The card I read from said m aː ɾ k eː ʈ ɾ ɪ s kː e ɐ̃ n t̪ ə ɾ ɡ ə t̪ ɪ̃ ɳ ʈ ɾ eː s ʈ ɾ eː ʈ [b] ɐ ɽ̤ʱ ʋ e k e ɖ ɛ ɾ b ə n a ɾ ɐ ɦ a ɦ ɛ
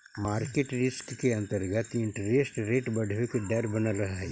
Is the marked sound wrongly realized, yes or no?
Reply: no